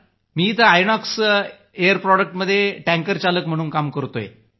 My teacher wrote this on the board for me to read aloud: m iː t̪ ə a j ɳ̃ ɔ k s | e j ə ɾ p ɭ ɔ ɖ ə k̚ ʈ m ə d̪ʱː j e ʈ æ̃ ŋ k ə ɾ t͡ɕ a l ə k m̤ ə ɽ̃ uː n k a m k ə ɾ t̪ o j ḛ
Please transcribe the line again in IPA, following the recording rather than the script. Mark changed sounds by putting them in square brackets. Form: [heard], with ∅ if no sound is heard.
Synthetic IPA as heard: m iː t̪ ə a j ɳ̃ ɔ k s | e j ə ɾ p [ɾ] ɔ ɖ ə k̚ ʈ m ə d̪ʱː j e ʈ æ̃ ŋ k ə ɾ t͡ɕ a l ə k m̤ ə ɽ̃ uː n k a m k ə ɾ t̪ o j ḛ